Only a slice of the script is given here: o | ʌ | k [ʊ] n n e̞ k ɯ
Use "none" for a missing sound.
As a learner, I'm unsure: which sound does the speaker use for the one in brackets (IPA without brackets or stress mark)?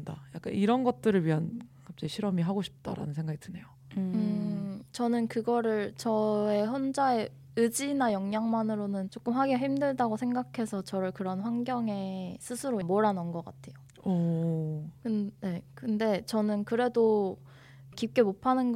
ɯ